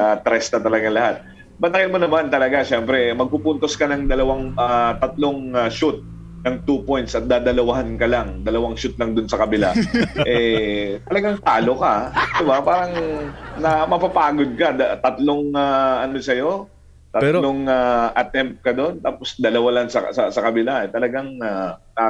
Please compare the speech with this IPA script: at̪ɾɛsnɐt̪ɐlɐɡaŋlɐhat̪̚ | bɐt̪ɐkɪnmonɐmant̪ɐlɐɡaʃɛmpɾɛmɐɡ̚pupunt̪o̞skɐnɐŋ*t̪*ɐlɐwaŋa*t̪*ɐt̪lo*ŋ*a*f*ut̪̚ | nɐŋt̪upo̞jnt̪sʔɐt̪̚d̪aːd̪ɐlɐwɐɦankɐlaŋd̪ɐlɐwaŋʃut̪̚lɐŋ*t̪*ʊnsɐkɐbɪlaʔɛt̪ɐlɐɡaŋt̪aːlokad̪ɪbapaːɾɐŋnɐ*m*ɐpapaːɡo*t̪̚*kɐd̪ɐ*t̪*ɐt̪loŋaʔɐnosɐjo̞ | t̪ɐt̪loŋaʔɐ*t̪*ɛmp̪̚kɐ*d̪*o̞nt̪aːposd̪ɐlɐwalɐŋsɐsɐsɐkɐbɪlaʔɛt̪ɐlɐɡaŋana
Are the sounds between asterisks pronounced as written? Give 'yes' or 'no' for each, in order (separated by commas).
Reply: no, yes, yes, no, no, yes, no, yes, yes, yes